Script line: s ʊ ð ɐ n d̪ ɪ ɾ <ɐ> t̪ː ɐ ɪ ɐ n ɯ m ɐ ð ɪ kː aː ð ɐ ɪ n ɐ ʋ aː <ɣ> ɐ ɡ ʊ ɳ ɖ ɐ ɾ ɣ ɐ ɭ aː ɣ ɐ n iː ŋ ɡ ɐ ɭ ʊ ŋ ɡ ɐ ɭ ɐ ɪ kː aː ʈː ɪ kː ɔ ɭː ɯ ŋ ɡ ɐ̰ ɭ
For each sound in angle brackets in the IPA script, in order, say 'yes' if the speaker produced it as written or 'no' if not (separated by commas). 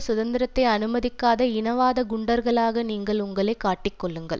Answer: yes, no